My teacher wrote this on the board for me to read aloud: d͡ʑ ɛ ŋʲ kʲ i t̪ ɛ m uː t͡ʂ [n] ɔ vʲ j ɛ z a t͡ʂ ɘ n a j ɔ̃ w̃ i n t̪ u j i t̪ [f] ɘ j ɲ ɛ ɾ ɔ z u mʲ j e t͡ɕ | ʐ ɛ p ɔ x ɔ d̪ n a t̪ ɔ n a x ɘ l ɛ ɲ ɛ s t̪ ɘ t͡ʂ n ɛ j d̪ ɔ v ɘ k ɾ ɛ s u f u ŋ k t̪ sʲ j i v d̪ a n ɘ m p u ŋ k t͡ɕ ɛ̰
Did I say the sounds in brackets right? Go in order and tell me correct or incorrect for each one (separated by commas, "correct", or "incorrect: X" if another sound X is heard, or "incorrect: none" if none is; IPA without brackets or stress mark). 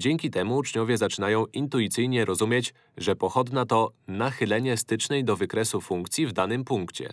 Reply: incorrect: ɲ, incorrect: s